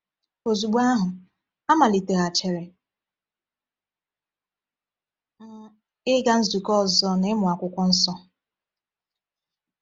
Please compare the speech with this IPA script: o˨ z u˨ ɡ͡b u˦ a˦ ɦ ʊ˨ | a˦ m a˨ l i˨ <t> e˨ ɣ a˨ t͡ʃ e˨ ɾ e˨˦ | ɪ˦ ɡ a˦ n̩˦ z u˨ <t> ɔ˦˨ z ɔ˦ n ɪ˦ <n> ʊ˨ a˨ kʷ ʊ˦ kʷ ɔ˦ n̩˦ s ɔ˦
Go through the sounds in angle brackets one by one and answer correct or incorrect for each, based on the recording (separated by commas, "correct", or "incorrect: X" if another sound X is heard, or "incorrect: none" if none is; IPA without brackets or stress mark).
correct, incorrect: k, incorrect: m